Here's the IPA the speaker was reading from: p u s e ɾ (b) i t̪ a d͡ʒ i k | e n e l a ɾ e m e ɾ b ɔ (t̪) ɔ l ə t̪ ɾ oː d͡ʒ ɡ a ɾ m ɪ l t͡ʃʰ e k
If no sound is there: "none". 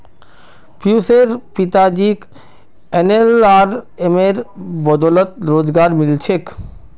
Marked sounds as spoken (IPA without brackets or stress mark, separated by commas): p, d̪